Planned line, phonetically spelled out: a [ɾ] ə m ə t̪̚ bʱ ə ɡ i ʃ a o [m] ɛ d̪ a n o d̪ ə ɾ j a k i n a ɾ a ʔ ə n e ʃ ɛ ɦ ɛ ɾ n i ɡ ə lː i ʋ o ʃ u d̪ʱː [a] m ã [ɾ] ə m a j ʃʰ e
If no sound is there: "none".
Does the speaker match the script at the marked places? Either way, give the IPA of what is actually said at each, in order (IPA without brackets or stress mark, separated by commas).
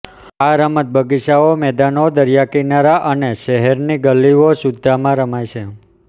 ɾ, m, a, ɾ